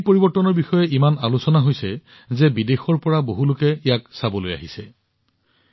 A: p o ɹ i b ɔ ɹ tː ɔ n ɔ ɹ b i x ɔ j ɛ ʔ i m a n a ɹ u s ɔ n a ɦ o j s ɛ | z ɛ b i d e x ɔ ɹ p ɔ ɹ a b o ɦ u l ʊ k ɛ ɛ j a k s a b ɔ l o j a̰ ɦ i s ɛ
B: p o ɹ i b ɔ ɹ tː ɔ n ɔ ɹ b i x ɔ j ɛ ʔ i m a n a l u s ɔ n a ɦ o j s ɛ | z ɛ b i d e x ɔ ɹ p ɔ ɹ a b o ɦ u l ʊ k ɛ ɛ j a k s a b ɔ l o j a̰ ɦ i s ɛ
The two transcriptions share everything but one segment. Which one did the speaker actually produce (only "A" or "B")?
B